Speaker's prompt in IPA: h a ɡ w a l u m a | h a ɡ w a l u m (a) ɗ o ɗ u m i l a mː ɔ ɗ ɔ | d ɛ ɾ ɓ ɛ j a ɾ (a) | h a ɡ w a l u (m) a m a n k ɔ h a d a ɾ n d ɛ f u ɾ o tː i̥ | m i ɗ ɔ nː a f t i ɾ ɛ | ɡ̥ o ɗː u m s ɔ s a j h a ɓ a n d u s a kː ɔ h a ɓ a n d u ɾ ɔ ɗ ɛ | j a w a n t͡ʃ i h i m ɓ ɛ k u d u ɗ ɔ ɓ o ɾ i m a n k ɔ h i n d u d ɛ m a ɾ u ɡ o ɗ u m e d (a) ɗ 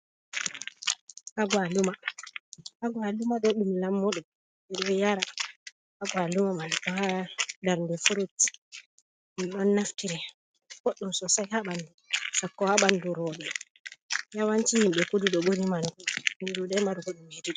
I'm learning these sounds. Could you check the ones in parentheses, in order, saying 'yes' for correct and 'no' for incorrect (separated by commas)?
yes, yes, yes, no